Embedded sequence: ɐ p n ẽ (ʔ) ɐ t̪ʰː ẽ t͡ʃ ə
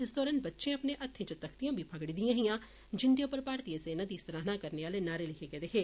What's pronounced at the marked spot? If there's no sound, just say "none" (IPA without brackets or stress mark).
ʔ